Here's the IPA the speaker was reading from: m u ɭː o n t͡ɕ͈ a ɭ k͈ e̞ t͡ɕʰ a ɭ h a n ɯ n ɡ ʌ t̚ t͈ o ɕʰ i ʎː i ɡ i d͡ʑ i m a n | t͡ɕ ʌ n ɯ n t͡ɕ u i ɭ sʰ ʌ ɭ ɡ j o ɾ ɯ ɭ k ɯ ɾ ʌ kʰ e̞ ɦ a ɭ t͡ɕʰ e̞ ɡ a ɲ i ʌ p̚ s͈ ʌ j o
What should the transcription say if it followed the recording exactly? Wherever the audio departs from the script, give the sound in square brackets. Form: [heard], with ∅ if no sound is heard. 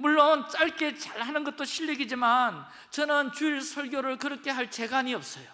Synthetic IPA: m u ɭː o n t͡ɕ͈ a ɭ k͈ e̞ [t͡ɕ] a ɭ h a n ɯ n ɡ ʌ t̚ t͈ o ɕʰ i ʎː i ɡ i d͡ʑ i m a n | t͡ɕ ʌ n ɯ n t͡ɕ u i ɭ sʰ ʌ ɭ ɡ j o ɾ ɯ ɭ k ɯ ɾ ʌ kʰ e̞ ɦ a ɭ [t͡ɕ] e̞ ɡ a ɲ i ʌ p̚ s͈ ʌ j o